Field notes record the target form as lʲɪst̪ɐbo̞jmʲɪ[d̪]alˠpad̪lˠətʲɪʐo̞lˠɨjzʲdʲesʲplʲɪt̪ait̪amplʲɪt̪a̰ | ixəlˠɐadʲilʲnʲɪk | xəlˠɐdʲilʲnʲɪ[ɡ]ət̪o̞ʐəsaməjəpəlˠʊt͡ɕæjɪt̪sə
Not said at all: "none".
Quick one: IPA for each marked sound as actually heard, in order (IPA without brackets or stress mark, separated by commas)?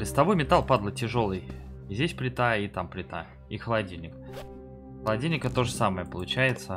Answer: t̪, k